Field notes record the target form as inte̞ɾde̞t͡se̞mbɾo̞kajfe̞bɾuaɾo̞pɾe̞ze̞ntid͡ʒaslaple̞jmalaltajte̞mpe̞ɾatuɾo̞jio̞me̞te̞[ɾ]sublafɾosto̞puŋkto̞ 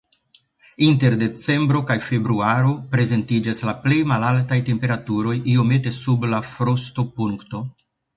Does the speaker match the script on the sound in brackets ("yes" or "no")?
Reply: no